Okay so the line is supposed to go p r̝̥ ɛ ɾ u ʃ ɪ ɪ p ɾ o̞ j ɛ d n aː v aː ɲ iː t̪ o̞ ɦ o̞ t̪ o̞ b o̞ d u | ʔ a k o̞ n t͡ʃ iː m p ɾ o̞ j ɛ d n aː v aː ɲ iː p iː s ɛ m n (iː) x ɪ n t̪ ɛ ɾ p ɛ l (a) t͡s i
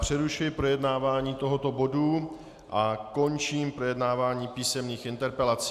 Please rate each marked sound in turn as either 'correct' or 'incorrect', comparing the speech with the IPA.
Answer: correct, correct

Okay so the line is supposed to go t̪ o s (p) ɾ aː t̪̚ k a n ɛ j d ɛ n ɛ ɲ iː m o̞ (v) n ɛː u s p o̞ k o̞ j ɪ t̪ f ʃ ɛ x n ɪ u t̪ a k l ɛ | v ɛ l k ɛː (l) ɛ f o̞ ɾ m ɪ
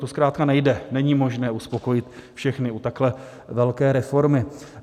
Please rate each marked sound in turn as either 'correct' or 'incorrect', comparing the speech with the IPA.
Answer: incorrect, incorrect, incorrect

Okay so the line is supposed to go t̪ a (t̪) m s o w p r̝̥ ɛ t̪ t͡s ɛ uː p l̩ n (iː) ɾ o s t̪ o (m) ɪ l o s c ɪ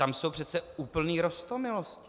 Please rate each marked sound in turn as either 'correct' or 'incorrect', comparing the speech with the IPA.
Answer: incorrect, correct, correct

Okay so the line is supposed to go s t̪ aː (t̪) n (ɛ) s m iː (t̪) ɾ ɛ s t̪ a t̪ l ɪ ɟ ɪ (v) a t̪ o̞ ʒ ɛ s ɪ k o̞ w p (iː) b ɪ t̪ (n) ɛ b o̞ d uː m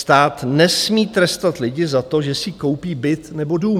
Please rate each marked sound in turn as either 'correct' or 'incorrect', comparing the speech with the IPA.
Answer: correct, correct, correct, incorrect, correct, correct

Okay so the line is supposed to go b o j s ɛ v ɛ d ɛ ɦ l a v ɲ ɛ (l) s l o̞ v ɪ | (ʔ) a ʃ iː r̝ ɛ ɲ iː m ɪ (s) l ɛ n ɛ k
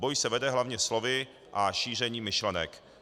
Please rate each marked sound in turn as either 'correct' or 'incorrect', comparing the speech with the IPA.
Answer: incorrect, correct, incorrect

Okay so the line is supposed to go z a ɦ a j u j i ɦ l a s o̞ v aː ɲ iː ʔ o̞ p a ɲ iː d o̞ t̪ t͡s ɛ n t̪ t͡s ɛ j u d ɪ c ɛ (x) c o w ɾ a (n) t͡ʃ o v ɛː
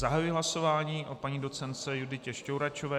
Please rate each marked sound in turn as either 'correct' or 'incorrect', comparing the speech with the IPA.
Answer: incorrect, incorrect

